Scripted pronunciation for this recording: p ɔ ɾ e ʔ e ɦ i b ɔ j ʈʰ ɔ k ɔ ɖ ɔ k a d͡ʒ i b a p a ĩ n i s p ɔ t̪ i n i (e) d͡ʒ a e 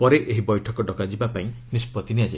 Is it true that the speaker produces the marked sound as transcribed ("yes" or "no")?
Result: no